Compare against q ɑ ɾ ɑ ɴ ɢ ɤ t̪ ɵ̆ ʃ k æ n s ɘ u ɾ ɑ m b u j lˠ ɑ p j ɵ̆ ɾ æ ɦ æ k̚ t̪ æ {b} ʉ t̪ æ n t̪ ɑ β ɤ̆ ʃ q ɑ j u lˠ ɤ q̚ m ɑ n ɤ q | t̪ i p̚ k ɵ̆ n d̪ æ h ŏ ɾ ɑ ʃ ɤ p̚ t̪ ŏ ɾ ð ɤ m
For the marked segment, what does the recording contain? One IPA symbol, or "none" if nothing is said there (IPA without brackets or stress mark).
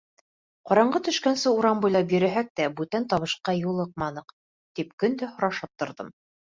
b